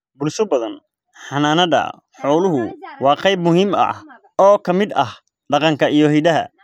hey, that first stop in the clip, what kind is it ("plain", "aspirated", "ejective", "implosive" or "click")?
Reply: plain